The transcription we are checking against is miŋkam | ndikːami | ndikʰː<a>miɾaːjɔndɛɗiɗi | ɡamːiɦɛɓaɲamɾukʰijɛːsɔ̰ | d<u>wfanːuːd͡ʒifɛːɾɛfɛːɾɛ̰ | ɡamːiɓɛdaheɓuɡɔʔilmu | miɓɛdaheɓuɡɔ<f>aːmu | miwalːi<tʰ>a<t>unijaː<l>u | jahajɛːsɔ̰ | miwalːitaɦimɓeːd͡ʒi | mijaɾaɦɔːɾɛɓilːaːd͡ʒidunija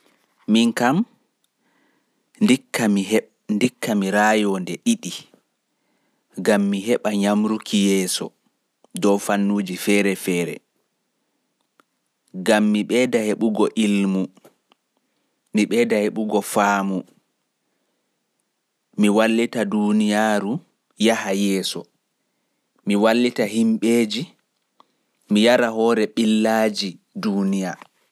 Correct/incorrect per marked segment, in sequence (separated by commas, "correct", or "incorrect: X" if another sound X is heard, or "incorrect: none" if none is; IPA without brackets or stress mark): correct, incorrect: ɔ, correct, incorrect: t, incorrect: d, incorrect: ɾ